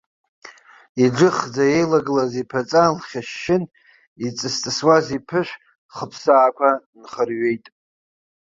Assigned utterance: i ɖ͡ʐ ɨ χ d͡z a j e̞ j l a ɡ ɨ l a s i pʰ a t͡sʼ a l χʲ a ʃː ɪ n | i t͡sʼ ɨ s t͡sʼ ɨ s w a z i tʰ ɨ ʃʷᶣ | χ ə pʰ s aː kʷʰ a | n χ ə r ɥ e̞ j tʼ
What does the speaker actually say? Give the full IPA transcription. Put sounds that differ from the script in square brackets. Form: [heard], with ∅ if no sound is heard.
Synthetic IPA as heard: i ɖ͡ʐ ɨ χ d͡z a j e̞ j l a ɡ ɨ l a [z] i pʰ a t͡sʼ a l χʲ a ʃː ɪ n | i t͡sʼ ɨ s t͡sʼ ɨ s w a z i [pʰ] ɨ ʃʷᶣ | χ ə pʰ s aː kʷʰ a | n χ ə r ɥ e̞ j tʼ

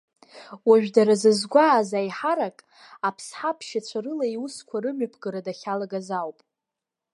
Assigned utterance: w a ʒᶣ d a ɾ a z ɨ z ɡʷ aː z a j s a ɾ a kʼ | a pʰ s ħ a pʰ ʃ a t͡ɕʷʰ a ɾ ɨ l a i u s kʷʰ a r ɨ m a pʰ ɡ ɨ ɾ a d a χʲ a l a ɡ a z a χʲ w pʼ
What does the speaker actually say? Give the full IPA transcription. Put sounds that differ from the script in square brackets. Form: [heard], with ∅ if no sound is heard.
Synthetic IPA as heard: w a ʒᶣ d a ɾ a z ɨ z ɡʷ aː z a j [ħ] a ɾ a kʼ | a pʰ s ħ a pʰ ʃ a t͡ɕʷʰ a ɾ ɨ l a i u s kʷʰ a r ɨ m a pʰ ɡ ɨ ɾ a d a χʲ a l a ɡ a z a [∅] w pʼ

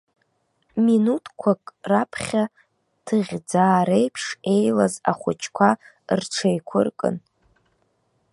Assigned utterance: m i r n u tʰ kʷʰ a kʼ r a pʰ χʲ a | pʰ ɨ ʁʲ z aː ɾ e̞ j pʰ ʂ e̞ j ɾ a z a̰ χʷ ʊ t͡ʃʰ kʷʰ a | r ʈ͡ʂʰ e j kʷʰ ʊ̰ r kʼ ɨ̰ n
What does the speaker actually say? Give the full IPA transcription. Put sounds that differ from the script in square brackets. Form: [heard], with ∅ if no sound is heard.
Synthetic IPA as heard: m i [∅] n u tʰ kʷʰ a kʼ r a pʰ χʲ a | [tʰ] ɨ ʁʲ [d͡z] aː ɾ e̞ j pʰ ʂ e̞ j [l] a z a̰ χʷ ʊ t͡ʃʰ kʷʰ a | r ʈ͡ʂʰ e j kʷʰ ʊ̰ r kʼ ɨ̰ n

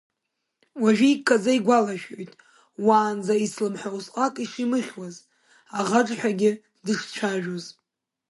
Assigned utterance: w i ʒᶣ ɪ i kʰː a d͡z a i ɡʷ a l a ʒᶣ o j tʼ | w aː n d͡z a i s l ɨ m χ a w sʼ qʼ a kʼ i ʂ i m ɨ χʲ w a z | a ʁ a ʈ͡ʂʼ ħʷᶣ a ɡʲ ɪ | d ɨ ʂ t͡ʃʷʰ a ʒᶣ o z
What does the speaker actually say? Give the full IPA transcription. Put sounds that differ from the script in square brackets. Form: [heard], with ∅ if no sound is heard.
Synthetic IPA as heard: w [a] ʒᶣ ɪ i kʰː a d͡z a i ɡʷ a l a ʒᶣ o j tʼ | w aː n d͡z a i s l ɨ m [ħ] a w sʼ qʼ a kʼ i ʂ i m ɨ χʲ w a z | a ʁ a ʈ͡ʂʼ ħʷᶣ a ɡʲ ɪ | d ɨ ʂ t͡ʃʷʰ a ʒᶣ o z

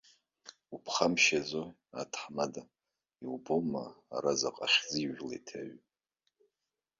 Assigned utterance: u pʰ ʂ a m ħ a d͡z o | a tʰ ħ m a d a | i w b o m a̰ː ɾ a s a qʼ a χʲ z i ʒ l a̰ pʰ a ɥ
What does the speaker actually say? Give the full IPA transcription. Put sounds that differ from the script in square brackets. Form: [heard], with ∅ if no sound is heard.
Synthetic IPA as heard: u pʰ [χ] a m [ʃ] a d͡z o | a tʰ ħ m a d a | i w b o m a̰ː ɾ a [z] a qʼ a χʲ z i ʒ l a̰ [tʰ] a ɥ

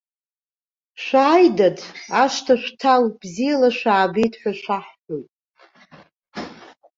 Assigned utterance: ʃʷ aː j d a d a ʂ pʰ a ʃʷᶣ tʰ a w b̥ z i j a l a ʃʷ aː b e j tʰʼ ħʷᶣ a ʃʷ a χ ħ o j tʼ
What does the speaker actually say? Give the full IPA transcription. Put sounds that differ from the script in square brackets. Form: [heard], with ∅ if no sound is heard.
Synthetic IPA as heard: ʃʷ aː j d a d a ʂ [tʰ] a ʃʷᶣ tʰ a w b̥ z i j a l a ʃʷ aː b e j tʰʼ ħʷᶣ a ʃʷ a [ħ] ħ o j tʼ

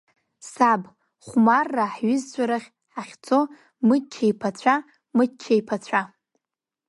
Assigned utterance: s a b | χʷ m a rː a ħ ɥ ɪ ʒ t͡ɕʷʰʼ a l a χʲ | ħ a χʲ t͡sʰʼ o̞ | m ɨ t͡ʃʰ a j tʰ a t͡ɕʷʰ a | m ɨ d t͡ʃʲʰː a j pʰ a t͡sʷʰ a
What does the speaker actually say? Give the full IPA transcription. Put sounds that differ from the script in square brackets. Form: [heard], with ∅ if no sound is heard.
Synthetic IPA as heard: s a b | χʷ m a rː a ħ ɥ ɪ [z] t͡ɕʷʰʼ a [ɾ] a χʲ | ħ a χʲ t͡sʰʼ o̞ | m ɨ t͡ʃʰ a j [pʰ] a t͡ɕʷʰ a | m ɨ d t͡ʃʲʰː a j pʰ a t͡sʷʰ a

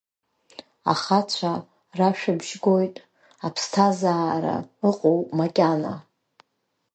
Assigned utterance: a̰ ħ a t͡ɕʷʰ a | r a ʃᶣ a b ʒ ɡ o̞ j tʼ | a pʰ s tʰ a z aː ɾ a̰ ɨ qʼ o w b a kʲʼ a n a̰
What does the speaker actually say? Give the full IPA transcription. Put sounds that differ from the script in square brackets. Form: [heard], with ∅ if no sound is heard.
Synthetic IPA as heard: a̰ [χ] a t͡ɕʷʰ a | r a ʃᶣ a b ʒ ɡ o̞ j tʼ | a pʰ s tʰ a z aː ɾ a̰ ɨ qʼ o w [m] a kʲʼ a n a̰

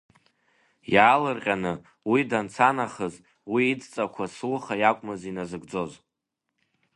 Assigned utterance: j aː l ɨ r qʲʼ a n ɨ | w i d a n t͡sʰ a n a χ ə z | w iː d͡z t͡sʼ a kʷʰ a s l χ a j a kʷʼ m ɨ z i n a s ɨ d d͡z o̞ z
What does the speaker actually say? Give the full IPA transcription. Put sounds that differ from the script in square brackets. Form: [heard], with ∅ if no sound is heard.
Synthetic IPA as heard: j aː l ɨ r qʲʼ a n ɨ | w i d a n t͡sʰ a n a χ ə z | w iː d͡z t͡sʼ a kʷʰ a s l χ a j a kʷʼ m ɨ z i n a [z] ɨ [ɡ] d͡z o̞ z

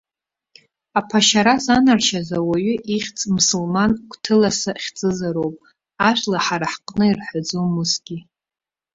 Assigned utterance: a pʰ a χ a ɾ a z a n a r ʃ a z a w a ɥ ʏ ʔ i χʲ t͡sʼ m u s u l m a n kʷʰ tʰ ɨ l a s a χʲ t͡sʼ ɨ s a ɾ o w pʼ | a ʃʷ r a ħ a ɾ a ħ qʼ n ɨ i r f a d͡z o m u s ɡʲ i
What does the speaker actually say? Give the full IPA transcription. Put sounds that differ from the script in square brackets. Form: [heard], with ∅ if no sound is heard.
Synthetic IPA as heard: a pʰ a [ʃ] a ɾ a z a n a r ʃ a z a w a ɥ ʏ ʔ i χʲ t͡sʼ m u s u l m a n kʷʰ tʰ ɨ l a s a χʲ t͡sʼ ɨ [z] a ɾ o w pʼ | a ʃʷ [l] a ħ a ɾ a ħ qʼ n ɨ i r [ħ] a d͡z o m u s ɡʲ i

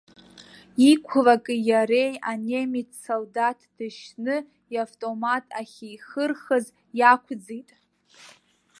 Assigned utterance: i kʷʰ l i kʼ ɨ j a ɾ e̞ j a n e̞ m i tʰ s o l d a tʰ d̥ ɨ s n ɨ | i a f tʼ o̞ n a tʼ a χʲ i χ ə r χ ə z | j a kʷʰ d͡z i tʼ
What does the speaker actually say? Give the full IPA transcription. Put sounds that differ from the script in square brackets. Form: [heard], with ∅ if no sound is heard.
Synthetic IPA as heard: i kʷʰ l [a] kʼ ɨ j a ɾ e̞ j a n e̞ m i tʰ s o l d a tʰ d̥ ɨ [ʃ] n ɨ | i a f tʼ o̞ [m] a tʼ a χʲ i χ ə r χ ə z | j a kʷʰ d͡z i tʼ

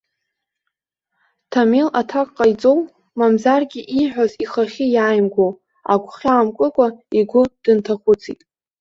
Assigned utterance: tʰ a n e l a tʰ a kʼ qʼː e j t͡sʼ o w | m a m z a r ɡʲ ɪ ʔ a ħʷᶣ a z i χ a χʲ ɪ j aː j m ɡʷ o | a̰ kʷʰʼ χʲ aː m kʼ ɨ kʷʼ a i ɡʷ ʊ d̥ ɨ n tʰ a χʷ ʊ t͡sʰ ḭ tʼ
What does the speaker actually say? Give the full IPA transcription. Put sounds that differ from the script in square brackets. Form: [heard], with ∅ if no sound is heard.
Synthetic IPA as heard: tʰ a [m] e l a tʰ a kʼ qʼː [a] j t͡sʼ o w | m a m z a r ɡʲ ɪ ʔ [i] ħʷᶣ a z i χ a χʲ ɪ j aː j m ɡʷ o | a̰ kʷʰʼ χʲ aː m kʼ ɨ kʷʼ a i ɡʷ ʊ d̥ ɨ n tʰ a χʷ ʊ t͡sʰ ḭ tʼ

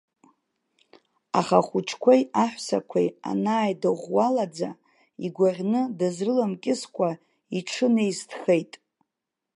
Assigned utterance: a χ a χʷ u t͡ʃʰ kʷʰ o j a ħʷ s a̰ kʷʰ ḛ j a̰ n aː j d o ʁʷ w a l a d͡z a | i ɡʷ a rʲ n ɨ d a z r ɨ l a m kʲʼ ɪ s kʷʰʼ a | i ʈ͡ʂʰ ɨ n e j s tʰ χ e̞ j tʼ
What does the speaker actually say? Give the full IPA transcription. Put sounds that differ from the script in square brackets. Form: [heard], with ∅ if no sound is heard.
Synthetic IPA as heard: a χ a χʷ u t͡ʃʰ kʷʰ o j a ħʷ s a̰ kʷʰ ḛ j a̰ n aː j d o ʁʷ w a l a d͡z a | i ɡʷ a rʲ n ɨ d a z r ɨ l a m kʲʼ ɪ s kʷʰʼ a | i ʈ͡ʂʰ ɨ n e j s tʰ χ e̞ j tʼ

